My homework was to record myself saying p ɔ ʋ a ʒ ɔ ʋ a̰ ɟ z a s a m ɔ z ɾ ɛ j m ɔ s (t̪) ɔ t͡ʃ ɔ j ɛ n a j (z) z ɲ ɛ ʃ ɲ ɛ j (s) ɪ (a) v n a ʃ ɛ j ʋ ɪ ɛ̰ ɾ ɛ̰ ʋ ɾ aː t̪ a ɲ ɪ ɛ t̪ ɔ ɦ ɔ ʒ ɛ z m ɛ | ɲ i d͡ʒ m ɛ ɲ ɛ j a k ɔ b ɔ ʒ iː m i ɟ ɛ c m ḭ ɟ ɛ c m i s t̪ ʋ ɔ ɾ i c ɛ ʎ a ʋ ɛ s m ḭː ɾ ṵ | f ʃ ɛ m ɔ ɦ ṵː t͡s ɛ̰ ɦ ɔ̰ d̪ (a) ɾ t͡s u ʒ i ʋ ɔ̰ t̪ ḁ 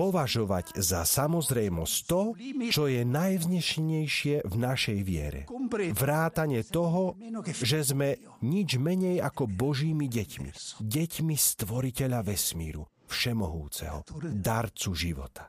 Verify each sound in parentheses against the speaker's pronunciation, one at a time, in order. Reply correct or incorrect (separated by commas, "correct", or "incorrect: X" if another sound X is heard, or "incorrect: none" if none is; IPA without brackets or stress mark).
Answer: correct, incorrect: v, incorrect: ʃ, incorrect: ɛ, correct